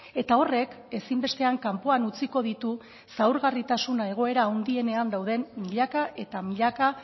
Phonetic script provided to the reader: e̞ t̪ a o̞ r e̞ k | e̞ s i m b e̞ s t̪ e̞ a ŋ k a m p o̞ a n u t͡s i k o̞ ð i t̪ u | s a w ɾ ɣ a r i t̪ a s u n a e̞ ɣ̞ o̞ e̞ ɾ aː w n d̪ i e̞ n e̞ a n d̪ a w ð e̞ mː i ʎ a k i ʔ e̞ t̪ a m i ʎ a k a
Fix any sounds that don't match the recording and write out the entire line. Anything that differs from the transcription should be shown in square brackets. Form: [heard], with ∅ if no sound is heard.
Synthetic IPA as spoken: e̞ t̪ a o̞ r e̞ k | e̞ s i m b e̞ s t̪ e̞ a ŋ k a m p o̞ a n u t͡s i k o̞ ð i t̪ u | s a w ɾ ɣ a r i t̪ a s u n a e̞ ɣ̞ o̞ e̞ ɾ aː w n d̪ i e̞ n e̞ a n d̪ a w ð e̞ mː i ʎ a k [a] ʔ e̞ t̪ a m i ʎ a k a